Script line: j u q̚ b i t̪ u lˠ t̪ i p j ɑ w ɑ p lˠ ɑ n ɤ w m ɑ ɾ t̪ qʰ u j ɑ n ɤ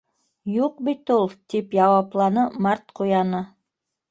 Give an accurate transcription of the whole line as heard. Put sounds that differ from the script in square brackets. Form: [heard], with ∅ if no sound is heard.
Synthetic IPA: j u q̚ b i t̪ u lˠ t̪ i p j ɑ w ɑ p lˠ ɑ n ɤ [∅] m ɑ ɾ t̪ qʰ u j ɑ n ɤ